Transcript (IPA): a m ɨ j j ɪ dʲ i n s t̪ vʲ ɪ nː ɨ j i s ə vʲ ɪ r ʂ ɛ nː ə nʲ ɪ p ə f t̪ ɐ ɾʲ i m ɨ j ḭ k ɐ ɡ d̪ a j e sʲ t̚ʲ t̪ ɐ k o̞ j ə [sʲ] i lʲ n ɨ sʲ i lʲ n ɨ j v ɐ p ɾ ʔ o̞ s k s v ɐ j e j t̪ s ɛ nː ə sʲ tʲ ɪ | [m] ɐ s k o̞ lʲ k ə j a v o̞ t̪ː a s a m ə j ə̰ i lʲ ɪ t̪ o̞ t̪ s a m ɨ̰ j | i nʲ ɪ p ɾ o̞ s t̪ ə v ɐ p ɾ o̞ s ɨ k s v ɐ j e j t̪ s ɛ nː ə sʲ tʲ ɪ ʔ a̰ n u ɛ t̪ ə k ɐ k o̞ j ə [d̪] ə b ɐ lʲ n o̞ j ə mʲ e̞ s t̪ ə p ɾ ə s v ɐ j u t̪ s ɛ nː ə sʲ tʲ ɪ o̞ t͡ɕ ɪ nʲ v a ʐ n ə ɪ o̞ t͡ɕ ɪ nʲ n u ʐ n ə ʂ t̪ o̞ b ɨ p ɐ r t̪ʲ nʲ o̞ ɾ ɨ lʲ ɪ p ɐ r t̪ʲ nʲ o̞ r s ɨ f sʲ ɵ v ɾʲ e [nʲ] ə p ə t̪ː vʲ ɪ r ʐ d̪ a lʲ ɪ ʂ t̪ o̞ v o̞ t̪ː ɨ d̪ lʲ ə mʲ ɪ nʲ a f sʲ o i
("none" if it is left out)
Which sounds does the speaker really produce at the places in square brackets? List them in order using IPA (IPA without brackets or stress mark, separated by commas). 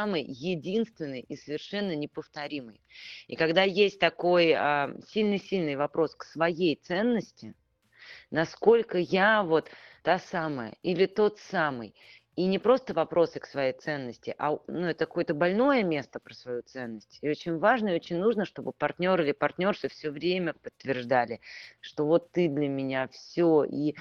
sʲ, n, t̪, mʲ